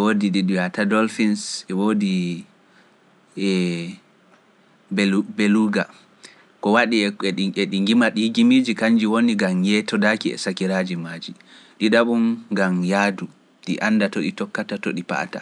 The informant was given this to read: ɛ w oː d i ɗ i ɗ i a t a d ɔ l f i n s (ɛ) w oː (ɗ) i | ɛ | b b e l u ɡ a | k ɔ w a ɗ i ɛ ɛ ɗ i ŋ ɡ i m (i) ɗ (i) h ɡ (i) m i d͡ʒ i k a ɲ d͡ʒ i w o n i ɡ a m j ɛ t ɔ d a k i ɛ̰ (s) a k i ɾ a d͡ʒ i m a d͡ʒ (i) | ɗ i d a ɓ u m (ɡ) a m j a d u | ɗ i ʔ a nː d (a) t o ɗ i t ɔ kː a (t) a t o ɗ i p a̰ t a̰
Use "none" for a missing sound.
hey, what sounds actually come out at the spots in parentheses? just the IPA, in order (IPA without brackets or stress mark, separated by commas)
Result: ɛ, d, a, i, i, s, i, ɡ, a, t